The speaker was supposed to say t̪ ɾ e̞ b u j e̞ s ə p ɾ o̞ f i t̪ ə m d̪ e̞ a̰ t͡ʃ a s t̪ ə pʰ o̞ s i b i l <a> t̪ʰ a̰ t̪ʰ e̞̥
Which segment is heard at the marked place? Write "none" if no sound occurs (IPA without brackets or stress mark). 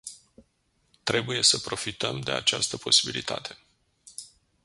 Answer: i